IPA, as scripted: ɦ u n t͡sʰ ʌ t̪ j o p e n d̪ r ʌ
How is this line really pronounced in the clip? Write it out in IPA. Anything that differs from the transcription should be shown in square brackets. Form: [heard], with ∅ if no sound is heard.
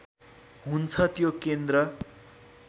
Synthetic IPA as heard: ɦ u n t͡sʰ ʌ t̪ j o [k] e n d̪ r ʌ